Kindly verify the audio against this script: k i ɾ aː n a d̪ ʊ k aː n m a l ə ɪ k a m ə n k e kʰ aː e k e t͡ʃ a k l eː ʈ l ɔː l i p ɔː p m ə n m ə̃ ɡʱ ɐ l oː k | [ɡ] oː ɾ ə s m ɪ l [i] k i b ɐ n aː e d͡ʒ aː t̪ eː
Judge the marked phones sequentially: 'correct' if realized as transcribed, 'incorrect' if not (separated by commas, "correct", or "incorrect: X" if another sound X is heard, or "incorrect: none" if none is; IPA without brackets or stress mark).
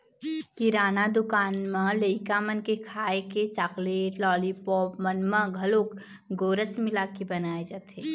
correct, incorrect: a